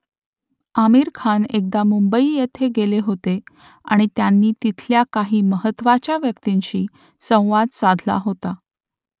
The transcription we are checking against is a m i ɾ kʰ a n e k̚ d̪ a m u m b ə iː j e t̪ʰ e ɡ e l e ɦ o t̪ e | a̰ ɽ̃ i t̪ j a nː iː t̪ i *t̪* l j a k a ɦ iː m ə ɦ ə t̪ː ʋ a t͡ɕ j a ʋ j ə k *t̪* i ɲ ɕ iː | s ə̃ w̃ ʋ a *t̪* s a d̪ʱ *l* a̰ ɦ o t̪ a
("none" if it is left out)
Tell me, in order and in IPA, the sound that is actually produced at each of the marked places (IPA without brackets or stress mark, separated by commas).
t̪ʰ, t̪, d̪, l